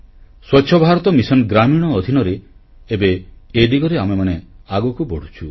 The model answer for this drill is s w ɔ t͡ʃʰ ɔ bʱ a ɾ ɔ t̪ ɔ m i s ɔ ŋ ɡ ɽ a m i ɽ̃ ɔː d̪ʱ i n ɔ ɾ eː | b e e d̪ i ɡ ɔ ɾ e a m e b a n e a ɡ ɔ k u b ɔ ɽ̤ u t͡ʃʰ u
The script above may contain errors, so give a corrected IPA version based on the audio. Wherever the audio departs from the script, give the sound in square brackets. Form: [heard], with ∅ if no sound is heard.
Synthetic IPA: s w ɔ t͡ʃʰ ɔ bʱ a ɾ ɔ t̪ ɔ m i s ɔ [n] ɡ [ɾ] a m i ɽ̃ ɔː d̪ʱ i n ɔ ɾ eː | b e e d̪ i ɡ ɔ ɾ e a m e [m] a n e a ɡ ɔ k u b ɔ ɽ̤ u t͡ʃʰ u